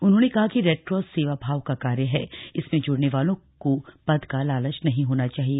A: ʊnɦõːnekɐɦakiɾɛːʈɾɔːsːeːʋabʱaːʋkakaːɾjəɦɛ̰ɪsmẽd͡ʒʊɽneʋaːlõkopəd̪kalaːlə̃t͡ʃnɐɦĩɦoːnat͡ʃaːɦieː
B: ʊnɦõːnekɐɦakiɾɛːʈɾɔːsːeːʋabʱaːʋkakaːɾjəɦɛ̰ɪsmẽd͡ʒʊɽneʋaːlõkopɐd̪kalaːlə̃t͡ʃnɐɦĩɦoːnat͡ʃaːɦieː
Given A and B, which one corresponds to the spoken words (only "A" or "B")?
B